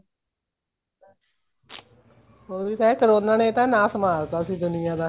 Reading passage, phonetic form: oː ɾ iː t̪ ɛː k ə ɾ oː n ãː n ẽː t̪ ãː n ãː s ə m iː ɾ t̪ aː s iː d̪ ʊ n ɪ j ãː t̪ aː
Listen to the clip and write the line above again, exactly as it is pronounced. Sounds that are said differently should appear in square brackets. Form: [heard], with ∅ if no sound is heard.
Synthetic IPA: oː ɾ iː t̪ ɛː k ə ɾ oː n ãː n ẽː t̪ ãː n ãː s ə m [aː] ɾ t̪ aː s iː d̪ ʊ n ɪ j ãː [d̪] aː